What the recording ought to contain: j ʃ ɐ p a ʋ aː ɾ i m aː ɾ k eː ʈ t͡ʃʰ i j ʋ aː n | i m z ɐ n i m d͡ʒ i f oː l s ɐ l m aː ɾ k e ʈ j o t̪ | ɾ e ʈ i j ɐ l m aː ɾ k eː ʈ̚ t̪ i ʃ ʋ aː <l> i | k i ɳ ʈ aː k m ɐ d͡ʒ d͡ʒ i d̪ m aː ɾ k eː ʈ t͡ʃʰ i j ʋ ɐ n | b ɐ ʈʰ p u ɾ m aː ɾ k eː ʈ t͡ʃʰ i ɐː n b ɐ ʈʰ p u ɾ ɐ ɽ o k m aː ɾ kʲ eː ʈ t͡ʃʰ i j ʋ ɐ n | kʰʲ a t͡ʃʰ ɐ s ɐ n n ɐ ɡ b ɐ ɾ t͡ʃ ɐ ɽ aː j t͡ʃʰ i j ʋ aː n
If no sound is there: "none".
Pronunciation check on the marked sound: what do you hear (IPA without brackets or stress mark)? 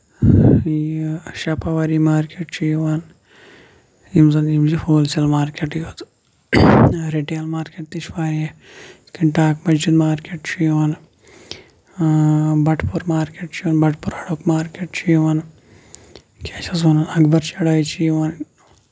ɾ